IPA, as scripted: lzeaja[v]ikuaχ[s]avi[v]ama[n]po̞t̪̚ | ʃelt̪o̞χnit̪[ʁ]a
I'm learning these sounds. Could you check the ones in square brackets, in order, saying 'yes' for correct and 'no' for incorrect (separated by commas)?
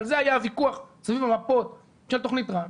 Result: yes, yes, yes, no, yes